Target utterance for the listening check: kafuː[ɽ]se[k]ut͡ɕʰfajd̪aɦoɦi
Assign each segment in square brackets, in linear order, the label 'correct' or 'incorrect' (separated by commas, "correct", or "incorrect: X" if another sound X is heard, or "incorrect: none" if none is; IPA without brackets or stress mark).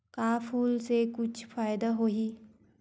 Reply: incorrect: l, correct